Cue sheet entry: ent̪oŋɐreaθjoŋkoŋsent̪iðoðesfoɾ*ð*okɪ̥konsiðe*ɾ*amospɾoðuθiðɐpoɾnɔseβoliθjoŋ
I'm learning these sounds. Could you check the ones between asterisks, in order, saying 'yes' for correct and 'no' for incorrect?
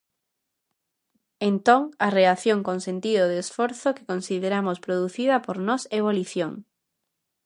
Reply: no, yes

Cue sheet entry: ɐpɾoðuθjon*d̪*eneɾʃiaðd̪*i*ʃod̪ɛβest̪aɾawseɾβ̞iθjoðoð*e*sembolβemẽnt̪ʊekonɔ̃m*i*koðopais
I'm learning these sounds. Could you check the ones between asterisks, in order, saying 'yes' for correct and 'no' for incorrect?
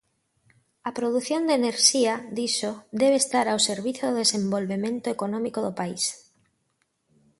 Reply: yes, yes, yes, yes

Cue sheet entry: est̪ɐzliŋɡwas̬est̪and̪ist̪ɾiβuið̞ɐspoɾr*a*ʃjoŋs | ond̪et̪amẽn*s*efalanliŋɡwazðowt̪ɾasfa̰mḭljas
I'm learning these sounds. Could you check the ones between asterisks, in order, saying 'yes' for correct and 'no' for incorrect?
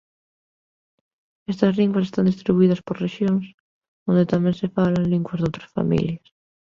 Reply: no, yes

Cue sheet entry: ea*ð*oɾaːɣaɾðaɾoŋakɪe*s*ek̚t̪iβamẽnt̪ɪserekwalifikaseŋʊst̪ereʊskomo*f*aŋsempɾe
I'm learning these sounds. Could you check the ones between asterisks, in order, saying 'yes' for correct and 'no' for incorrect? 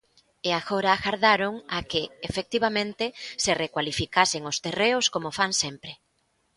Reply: no, no, yes

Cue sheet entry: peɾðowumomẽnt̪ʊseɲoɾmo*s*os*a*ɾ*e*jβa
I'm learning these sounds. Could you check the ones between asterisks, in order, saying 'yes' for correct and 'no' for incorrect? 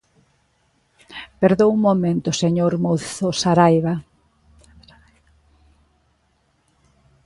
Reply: no, yes, no

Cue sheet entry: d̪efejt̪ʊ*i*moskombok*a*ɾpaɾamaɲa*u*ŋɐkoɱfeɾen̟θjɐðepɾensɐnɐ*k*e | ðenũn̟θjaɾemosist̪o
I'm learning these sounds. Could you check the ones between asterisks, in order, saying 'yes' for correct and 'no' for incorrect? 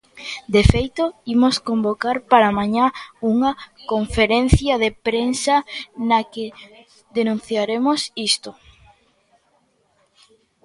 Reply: yes, yes, yes, yes

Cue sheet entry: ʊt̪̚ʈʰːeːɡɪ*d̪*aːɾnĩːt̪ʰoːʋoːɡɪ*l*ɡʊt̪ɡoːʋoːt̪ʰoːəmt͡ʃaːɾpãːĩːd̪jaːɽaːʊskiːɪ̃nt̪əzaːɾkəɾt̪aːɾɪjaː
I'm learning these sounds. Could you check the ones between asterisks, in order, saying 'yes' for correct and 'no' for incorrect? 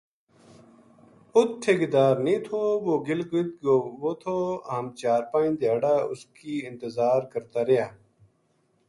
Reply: yes, yes

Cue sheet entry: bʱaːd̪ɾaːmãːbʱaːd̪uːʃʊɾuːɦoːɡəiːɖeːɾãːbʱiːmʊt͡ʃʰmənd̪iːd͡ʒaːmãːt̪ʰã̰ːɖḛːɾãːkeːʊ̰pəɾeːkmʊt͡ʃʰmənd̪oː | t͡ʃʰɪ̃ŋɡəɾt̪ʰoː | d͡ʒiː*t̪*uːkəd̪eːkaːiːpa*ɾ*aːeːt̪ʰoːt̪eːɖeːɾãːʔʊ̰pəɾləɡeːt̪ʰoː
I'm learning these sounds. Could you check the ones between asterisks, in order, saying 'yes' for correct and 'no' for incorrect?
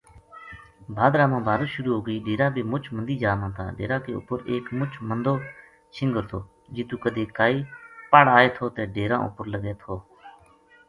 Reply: yes, no

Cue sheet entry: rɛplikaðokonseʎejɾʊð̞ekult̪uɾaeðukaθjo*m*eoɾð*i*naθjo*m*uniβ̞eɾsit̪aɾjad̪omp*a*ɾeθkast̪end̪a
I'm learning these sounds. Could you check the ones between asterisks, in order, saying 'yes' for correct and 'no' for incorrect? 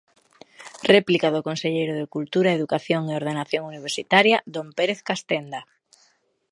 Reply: no, no, no, no

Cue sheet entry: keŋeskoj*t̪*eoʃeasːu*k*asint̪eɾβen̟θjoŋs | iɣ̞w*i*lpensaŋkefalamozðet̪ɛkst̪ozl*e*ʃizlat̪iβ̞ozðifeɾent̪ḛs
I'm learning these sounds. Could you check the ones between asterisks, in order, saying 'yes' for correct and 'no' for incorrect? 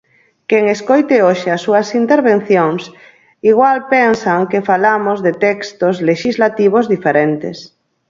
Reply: yes, no, no, yes

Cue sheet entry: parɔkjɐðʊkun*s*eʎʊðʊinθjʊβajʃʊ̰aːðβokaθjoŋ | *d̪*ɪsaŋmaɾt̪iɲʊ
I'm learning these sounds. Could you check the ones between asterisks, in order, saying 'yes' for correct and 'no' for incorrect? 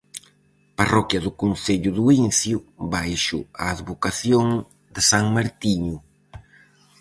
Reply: no, yes

